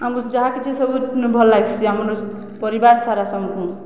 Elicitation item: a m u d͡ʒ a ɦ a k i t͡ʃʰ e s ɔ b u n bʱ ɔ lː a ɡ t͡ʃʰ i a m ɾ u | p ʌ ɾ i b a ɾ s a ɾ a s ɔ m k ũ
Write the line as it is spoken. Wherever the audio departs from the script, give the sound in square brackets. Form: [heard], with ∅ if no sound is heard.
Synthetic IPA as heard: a m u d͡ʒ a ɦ a k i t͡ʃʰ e s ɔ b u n bʱ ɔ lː a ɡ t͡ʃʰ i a m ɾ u | p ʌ ɾ i b a ɾ s a ɾ a s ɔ m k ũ